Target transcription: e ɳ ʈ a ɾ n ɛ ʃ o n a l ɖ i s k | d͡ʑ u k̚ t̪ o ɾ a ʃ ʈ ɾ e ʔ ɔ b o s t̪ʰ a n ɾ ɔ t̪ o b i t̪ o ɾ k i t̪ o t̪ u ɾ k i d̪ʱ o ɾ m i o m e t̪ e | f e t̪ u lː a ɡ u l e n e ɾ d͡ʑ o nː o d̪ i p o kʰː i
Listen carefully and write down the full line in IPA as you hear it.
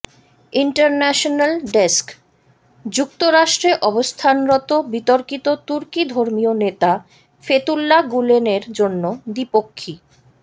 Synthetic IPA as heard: i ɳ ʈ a ɾ n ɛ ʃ o n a l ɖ e s k | d͡ʑ u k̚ t̪ o ɾ a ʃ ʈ ɾ e ʔ ɔ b o s t̪ʰ a n ɾ ɔ t̪ o b i t̪ o ɾ k i t̪ o t̪ u ɾ k i d̪ʱ o ɾ m i o n e t̪ a | f e t̪ u lː a ɡ u l e n e ɾ d͡ʑ o nː o d̪ i p o kʰː i